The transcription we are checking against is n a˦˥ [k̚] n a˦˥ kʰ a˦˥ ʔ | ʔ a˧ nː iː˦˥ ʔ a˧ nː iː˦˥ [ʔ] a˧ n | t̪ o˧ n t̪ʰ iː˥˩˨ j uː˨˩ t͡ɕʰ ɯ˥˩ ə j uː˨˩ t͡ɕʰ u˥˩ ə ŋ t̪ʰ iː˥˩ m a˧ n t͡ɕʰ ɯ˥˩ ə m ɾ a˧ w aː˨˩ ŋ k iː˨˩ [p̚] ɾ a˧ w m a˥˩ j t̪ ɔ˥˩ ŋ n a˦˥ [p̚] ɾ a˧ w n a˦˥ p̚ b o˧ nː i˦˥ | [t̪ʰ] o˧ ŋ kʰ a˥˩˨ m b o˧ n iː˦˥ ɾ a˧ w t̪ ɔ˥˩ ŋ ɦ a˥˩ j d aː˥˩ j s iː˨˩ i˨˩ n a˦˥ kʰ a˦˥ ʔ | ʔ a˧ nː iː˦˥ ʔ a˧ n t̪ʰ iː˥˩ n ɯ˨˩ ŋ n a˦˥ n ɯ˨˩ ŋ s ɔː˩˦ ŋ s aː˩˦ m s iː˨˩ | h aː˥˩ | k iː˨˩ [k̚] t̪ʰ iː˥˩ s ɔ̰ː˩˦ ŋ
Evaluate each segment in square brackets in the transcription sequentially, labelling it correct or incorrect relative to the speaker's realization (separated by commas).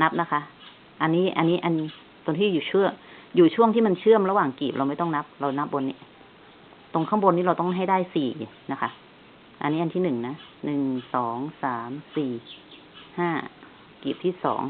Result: incorrect, correct, correct, correct, incorrect, incorrect